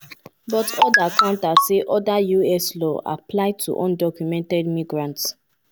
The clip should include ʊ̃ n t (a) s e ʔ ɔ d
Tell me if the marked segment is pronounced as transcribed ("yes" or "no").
yes